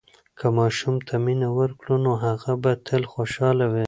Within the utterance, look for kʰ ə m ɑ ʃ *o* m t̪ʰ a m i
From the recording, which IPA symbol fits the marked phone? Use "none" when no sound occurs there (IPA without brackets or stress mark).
u